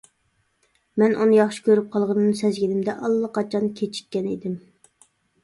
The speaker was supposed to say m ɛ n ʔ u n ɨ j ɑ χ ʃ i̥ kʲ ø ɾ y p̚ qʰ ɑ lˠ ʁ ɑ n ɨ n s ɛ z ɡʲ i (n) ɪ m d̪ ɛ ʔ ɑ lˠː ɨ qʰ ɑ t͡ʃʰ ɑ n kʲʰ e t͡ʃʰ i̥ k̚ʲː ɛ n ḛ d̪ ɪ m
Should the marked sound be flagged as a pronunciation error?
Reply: no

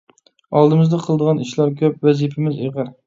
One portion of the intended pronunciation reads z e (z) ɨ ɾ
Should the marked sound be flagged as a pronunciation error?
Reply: yes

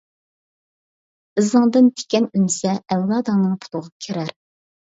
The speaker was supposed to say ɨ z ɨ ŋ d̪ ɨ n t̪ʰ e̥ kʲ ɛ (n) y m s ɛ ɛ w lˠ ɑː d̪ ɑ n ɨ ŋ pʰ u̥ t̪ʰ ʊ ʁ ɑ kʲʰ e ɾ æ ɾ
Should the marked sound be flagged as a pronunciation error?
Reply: no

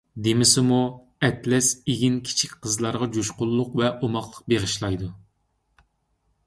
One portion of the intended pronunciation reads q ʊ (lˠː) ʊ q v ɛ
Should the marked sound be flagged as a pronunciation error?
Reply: no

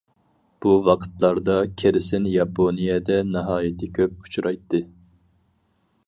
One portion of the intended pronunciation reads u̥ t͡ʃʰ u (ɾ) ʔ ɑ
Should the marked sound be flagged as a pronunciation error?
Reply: no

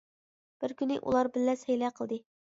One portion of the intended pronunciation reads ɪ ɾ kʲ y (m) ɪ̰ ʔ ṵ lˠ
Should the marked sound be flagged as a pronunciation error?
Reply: yes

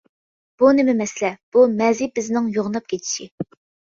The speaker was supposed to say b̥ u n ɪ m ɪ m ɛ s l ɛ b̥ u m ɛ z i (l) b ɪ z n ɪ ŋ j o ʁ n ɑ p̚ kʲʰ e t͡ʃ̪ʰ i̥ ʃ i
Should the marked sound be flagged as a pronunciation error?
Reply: yes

